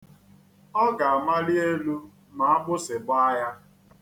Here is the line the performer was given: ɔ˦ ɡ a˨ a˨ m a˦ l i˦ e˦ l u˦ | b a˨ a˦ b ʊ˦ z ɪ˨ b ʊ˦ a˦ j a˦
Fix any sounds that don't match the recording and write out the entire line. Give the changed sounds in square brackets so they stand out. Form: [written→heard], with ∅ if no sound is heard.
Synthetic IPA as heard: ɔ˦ ɡ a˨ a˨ m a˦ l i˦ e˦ l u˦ | [b→m] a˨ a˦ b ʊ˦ [z→s] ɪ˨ b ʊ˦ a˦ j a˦